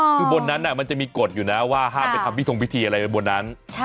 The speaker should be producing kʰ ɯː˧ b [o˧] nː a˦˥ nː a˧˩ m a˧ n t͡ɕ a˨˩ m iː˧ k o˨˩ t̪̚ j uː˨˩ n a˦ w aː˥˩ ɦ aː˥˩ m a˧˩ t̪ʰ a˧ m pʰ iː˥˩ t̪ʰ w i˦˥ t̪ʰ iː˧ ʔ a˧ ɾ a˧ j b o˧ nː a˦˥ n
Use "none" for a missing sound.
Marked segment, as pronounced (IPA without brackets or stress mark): o˧